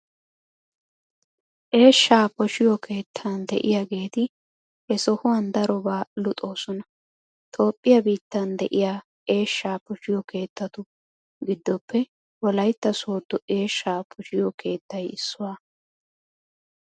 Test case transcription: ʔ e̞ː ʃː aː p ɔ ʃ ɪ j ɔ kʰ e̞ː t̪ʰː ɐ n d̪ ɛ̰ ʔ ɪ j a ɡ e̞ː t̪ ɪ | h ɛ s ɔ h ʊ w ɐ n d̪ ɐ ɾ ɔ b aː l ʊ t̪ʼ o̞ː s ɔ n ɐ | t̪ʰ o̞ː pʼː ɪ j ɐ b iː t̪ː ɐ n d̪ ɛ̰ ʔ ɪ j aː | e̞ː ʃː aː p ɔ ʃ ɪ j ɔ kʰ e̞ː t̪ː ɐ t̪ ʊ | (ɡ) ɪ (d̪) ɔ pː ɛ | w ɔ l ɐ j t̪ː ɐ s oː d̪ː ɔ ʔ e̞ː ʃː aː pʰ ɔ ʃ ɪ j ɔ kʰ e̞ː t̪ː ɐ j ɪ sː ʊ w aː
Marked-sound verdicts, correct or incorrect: correct, incorrect: d̪ː

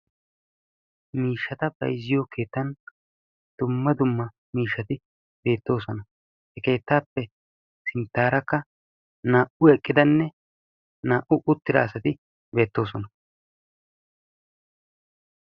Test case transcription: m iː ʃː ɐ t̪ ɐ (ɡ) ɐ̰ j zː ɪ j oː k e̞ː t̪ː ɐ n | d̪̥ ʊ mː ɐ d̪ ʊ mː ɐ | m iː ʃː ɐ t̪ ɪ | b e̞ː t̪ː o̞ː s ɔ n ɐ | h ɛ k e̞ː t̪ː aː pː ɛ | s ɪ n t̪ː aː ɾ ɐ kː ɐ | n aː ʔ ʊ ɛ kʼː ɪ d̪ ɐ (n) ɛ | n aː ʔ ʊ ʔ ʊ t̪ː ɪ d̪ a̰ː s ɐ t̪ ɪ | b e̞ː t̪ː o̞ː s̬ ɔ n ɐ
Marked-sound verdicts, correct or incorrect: incorrect: b, incorrect: nː

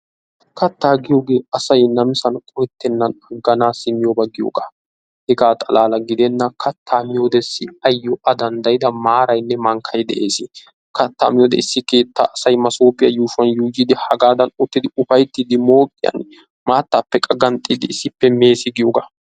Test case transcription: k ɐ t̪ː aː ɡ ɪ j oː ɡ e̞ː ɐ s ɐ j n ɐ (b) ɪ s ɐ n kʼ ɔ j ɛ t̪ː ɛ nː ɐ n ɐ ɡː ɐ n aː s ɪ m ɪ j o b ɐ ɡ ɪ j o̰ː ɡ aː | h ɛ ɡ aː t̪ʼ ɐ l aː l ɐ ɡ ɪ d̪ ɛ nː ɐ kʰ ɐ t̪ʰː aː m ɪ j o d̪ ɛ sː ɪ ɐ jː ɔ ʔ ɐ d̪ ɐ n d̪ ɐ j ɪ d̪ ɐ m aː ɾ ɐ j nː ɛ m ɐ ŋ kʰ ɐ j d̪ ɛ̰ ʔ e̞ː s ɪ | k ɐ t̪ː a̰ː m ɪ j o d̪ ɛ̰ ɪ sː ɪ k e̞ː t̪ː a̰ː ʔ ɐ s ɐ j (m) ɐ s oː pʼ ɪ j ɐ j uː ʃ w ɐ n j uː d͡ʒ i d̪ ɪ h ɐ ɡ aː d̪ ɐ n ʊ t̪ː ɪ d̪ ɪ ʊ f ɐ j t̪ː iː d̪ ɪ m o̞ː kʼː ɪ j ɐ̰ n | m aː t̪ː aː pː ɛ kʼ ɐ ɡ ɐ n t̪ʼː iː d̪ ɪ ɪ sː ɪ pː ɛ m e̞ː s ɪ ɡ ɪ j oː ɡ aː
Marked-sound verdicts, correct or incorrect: incorrect: m, correct

